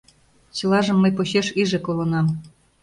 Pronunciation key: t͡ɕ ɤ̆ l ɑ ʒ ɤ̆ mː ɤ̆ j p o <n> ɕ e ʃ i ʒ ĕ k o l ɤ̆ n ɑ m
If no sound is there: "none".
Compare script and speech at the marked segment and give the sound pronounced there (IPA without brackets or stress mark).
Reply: none